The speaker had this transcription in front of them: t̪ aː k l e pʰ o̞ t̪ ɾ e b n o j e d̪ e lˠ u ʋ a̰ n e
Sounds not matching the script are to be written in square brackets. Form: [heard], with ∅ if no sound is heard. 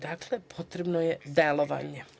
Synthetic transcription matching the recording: [d̪] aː k l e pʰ o̞ t̪ ɾ e b n o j e d̪ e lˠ [o] ʋ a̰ [ɲ] e